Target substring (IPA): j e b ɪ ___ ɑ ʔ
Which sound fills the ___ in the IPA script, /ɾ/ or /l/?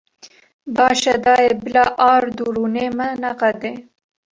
l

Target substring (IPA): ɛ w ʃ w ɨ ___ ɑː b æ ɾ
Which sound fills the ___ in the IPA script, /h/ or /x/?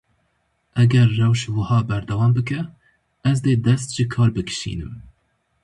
h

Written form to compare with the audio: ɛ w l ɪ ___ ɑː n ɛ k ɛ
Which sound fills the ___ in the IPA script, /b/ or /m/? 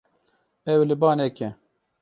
b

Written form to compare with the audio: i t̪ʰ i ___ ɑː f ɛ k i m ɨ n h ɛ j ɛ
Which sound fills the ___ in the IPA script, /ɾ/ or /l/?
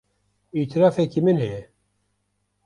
ɾ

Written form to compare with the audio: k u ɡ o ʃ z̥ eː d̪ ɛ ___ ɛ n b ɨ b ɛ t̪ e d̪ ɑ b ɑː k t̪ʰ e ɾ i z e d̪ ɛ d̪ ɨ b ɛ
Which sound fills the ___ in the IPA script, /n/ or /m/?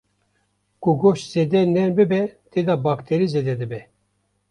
n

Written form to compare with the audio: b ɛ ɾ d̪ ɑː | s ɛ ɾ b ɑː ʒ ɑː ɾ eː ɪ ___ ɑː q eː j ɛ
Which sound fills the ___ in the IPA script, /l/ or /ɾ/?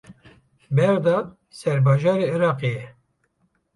ɾ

